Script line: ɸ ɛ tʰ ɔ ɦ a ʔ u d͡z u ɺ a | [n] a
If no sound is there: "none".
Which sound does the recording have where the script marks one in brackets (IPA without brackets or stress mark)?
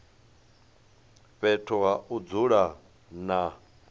n